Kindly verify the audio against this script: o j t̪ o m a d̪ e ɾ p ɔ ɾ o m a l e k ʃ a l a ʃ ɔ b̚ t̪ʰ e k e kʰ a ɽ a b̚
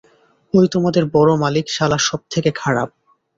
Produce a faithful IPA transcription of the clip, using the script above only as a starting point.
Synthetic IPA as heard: o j t̪ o m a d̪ e ɾ b ɔ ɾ o m a l i k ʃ a l a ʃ ɔ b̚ t̪ʰ e k e kʰ a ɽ a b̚